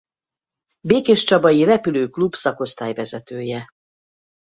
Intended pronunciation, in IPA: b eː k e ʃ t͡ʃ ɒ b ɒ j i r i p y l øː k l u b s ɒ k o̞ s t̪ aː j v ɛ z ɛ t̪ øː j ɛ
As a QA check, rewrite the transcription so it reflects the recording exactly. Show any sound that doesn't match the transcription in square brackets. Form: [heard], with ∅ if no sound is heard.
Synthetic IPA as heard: b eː k e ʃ t͡ʃ ɒ b ɒ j i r [ɛ] p y l øː k l u b s ɒ k o̞ s t̪ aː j v ɛ z ɛ t̪ øː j ɛ